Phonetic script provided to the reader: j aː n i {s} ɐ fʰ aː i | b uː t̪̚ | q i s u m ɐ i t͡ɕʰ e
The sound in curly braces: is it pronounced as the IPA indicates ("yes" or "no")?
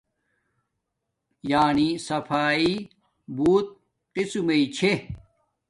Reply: yes